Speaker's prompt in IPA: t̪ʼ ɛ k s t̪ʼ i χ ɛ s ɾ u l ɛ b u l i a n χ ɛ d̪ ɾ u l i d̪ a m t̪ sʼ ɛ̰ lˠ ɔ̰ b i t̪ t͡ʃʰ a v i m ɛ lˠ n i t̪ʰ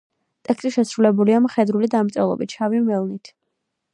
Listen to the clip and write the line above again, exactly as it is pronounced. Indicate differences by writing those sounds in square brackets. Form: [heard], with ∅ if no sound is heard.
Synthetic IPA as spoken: t̪ʼ ɛ k s t̪ʼ i [ʃ] ɛ s ɾ u l ɛ b u l i a [m] χ ɛ d̪ ɾ u l i d̪ a m t̪ sʼ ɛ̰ lˠ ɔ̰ b i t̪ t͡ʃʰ a v i m ɛ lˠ n i t̪ʰ